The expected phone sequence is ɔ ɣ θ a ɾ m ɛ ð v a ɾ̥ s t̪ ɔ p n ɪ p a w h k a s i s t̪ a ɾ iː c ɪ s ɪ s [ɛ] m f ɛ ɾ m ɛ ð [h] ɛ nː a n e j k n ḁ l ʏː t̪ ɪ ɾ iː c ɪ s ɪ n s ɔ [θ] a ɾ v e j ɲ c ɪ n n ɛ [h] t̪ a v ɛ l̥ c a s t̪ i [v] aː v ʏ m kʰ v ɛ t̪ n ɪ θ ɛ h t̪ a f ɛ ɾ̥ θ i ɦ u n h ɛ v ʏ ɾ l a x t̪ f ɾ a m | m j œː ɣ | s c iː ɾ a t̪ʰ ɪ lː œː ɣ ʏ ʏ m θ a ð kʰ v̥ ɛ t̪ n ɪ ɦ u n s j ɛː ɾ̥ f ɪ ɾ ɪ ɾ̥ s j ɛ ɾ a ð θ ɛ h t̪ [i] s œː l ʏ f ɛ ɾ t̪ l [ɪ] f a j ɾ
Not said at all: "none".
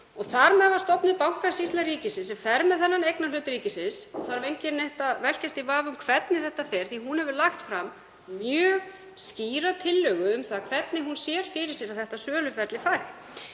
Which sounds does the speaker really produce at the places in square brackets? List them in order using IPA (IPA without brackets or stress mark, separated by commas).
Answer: ɛ, θ, θ, h, v, a, ɪ